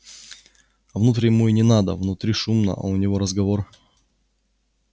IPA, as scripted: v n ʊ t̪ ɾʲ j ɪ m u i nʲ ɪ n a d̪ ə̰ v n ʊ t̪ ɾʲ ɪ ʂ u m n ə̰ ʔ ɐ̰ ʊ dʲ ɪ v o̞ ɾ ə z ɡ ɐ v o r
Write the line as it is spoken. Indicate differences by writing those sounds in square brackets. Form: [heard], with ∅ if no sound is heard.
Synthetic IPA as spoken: v n [u] t̪ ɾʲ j ɪ m u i nʲ ɪ n a d̪ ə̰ v n ʊ t̪ ɾʲ [i] ʂ u m n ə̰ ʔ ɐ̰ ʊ [nʲ] ɪ v o̞ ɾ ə z ɡ ɐ v o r